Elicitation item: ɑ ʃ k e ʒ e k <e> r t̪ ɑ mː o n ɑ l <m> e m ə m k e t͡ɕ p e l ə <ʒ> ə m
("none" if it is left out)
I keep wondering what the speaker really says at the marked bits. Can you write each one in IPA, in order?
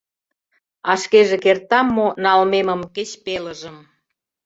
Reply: e, m, ʒ

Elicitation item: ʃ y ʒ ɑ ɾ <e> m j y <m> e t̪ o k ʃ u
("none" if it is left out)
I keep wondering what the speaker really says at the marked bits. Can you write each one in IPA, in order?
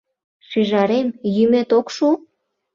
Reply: e, m

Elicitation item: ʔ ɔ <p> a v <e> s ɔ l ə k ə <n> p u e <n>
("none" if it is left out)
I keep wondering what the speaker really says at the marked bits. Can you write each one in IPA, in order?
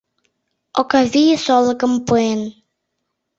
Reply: k, i, m, n

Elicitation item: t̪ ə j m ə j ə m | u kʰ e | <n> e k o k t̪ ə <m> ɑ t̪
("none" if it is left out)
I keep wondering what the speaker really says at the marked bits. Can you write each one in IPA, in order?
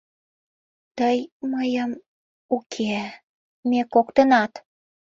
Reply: m, n

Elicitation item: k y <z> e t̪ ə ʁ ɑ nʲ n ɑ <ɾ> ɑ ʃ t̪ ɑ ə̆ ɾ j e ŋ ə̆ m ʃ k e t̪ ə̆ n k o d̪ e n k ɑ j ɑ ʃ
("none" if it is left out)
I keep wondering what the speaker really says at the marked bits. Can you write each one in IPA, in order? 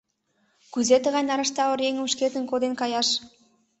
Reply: z, ɾ

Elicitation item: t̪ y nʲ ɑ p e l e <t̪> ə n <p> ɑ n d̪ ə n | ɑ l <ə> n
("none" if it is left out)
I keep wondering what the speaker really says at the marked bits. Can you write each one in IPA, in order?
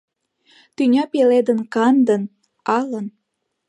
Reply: d̪, k, ə

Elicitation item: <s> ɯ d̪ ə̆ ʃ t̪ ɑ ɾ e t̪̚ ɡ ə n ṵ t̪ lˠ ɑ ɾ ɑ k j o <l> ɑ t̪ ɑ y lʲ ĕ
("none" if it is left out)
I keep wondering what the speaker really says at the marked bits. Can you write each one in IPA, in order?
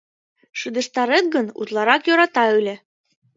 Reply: ʃ, ɾ

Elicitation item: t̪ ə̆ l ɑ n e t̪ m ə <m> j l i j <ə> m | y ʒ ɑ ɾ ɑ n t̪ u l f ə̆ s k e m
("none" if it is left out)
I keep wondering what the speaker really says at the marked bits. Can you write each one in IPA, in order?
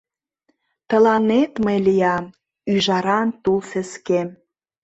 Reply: none, ɑ

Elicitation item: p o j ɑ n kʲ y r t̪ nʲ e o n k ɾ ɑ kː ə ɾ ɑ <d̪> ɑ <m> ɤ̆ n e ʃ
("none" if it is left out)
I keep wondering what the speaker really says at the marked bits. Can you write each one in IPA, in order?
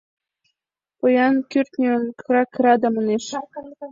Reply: d̪, m

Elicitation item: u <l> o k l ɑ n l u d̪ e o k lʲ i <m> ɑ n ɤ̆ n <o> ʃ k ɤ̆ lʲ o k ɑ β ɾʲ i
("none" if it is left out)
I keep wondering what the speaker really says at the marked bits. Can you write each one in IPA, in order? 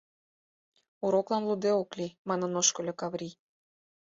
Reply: ɾ, m, o

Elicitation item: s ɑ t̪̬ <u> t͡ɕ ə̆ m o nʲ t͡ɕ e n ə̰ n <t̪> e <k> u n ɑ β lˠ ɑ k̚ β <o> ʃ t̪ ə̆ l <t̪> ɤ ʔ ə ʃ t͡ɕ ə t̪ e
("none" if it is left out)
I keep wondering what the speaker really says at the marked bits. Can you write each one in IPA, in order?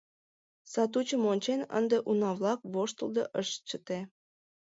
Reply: u, d̪, ʔ, o, d̪

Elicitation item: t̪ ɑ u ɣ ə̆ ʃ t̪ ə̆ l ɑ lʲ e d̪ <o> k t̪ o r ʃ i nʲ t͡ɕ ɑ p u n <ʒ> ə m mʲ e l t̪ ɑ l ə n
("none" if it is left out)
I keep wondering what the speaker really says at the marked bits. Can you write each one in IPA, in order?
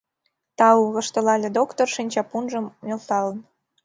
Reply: o, ʒ

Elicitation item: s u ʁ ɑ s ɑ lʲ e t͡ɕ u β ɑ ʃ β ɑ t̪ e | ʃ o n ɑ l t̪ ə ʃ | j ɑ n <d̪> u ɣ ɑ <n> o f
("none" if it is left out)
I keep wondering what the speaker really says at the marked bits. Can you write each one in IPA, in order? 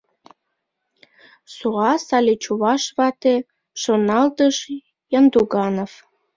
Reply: d̪, n

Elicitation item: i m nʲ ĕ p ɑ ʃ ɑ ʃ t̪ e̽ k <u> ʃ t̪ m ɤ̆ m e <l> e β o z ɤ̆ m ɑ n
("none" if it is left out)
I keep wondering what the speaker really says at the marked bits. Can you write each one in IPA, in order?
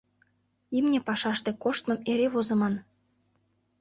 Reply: o, ɾ

